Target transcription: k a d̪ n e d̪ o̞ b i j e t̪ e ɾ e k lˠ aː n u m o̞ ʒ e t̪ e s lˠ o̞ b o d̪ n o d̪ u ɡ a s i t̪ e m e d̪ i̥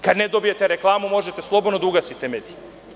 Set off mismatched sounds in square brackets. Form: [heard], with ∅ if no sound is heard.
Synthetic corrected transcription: k a d̪ n e d̪ o̞ b i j e t̪ e ɾ e k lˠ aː [m] u m o̞ ʒ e t̪ e s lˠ o̞ b o d̪ n o d̪ u ɡ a s i t̪ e m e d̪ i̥